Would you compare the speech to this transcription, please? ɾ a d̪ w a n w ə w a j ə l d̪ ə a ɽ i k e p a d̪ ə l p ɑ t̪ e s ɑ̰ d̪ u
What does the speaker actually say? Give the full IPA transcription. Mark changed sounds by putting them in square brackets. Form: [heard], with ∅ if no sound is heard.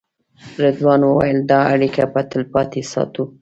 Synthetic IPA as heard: ɾ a d̪ w [ɑ] n w ə w a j ə l d̪ [ɑ] a ɽ i k [a] p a [t̪] ə l p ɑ t̪ e s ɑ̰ [t̪] u